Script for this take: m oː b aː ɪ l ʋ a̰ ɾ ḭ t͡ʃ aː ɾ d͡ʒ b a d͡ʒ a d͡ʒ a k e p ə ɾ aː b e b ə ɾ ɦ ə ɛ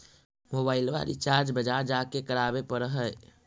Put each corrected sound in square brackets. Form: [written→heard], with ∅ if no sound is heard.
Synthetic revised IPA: m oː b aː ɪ l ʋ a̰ ɾ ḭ t͡ʃ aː ɾ d͡ʒ b [a→ə] d͡ʒ a d͡ʒ a k e [p→k] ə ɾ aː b e [b→p] ə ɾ ɦ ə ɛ

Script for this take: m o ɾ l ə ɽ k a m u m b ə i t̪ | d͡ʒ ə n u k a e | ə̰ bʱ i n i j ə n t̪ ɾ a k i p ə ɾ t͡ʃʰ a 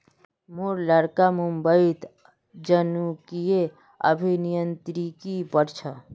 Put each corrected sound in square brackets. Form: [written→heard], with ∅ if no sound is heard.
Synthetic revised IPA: m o ɾ l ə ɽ k a m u m b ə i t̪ | d͡ʒ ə n u k [a→i] e | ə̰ bʱ i n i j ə n t̪ ɾ [a→i] k i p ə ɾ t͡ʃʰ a

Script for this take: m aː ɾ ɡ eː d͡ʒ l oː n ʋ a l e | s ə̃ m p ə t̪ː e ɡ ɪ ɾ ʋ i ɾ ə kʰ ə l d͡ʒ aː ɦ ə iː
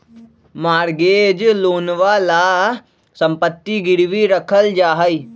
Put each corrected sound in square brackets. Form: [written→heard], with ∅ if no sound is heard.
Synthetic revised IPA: m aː ɾ ɡ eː d͡ʒ l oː n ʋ a l [e→a] | s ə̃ m p ə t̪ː [e→i] ɡ ɪ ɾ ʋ i ɾ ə kʰ ə l d͡ʒ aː ɦ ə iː

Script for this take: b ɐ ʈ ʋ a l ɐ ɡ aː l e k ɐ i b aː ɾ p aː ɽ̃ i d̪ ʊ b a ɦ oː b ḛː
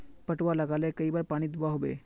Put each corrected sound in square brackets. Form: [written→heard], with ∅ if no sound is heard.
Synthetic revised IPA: [b→p] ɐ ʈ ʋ a l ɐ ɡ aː l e k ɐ i b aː ɾ p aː ɽ̃ i d̪ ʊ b a ɦ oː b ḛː

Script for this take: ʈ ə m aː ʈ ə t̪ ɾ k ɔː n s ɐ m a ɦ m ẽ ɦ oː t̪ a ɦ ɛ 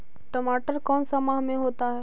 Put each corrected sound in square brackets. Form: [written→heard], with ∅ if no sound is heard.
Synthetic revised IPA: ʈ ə m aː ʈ ə [t̪→∅] ɾ k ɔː n s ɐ m a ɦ m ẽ ɦ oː t̪ a ɦ ɛ

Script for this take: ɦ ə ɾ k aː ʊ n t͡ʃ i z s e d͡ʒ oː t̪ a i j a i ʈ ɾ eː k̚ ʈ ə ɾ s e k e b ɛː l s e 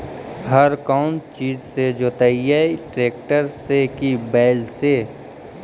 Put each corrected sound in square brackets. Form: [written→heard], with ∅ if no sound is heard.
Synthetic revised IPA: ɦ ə ɾ k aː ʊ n t͡ʃ [i→iː] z s e d͡ʒ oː t̪ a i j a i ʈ ɾ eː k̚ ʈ ə ɾ s e k [e→i] b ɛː l s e

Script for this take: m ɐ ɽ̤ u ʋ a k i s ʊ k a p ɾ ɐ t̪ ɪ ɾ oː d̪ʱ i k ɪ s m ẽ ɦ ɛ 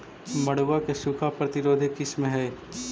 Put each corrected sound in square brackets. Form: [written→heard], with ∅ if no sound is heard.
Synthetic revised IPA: m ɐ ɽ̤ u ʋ a k [i→e] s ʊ [k→kʰ] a p ɾ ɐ t̪ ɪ ɾ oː d̪ʱ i k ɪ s m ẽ ɦ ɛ

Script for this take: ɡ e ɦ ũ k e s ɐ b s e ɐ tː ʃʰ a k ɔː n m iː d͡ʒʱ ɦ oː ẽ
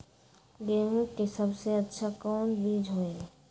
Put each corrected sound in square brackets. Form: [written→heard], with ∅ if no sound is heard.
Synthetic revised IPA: ɡ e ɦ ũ k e s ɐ b s e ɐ tː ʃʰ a k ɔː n [m→b] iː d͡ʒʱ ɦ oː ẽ

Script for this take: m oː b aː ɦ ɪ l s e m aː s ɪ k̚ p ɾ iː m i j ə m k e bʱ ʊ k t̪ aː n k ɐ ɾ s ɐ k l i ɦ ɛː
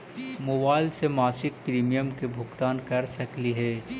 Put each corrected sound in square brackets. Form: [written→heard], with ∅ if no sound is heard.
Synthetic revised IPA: m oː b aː [ɦ→∅] ɪ l s e m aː s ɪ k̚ p ɾ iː m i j ə m k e bʱ ʊ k t̪ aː n k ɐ ɾ s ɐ k l i ɦ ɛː

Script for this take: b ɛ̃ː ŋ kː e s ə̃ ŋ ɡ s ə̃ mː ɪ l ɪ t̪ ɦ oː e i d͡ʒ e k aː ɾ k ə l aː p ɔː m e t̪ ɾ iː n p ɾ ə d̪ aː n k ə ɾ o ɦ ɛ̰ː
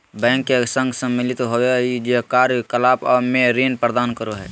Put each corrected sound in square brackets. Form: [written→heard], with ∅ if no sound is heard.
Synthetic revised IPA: b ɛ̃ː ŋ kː e s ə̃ ŋ ɡ s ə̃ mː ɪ l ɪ t̪ ɦ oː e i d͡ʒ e k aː ɾ k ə l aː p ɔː m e [t̪→∅] ɾ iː n p ɾ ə d̪ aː n k ə ɾ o ɦ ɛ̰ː

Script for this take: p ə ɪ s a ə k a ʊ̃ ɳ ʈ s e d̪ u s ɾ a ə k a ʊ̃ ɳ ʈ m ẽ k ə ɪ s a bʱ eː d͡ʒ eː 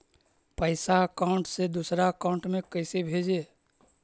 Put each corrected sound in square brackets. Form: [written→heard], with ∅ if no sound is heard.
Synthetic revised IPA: p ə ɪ s a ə k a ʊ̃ ɳ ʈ s e d̪ u s ɾ a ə k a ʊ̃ ɳ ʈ m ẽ k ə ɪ s [a→e] bʱ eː d͡ʒ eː

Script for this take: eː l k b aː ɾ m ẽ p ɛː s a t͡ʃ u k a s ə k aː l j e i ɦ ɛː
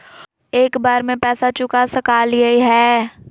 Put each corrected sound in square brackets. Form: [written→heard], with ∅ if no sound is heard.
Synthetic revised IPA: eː [l→∅] k b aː ɾ m ẽ p ɛː s a t͡ʃ [u→ʊ] k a s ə k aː l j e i ɦ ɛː

